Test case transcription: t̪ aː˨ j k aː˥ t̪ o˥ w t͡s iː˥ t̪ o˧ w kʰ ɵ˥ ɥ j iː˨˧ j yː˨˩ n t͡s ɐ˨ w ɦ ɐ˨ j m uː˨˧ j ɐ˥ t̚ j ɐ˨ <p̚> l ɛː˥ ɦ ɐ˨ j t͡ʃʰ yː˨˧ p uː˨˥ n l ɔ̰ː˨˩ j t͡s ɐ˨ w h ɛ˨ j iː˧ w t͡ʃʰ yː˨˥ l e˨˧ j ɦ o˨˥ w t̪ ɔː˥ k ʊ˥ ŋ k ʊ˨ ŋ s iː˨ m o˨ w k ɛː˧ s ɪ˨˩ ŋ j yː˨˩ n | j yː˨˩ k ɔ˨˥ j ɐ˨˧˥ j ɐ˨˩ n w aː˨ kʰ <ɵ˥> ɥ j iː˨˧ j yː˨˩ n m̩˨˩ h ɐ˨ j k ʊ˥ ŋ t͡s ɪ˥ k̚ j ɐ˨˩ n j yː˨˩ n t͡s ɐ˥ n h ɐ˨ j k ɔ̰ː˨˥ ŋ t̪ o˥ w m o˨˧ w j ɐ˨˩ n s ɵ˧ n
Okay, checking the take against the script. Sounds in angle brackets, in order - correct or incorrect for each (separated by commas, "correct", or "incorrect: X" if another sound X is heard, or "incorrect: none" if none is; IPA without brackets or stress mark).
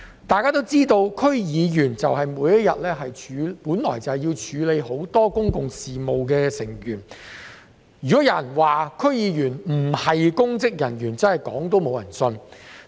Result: incorrect: t̚, correct